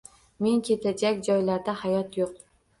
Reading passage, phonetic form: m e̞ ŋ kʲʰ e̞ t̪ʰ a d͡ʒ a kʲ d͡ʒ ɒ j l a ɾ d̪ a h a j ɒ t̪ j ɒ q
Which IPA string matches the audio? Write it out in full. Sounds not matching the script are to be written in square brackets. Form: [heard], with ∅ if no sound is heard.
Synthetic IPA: m e̞ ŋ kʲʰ e̞ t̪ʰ a d͡ʒ a kʲ d͡ʒ ɒ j l a ɾ d̪ a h a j ɒ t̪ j [o] q

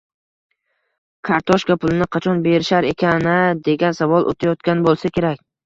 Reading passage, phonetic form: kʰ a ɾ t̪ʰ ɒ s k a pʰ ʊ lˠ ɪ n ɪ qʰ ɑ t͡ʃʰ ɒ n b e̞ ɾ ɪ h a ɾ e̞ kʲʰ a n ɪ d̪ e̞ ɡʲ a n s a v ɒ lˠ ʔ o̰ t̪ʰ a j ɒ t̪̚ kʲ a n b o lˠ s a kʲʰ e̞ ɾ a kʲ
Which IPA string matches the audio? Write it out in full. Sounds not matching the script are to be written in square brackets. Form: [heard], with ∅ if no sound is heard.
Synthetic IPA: kʰ a ɾ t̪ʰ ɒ [ʃ] k a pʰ ʊ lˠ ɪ n ɪ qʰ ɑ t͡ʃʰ ɒ n b e̞ ɾ ɪ [ʃ] a ɾ e̞ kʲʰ a n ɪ d̪ e̞ ɡʲ a n s a v ɒ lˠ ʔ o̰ t̪ʰ a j ɒ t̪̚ kʲ a n b o lˠ s a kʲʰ e̞ ɾ a kʲ

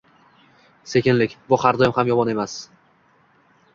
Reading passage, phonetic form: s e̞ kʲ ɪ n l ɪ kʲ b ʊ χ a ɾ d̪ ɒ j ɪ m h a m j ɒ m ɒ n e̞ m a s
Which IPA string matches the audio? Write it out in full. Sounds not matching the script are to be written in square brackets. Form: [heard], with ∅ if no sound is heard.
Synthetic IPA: s e̞ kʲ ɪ n l ɪ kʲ b ʊ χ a ɾ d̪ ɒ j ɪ m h a m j ɒ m ɒ n e̞ m a s

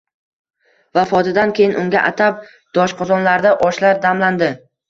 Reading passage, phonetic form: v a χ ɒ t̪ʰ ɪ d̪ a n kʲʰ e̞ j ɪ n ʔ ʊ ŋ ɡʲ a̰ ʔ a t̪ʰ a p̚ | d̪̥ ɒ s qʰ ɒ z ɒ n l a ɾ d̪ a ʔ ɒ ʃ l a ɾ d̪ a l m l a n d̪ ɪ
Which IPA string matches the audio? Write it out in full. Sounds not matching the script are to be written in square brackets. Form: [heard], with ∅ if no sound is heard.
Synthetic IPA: v a [f] ɒ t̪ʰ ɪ d̪ a n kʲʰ e̞ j ɪ n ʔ ʊ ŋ ɡʲ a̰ ʔ a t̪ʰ a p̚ | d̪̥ ɒ [ʃ] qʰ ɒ z ɒ n l a ɾ d̪ a ʔ ɒ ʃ l a ɾ d̪ a [∅] m l a n d̪ ɪ

